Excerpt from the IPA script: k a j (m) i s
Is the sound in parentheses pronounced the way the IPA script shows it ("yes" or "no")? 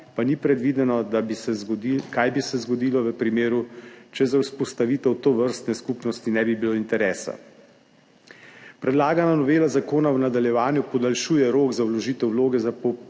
no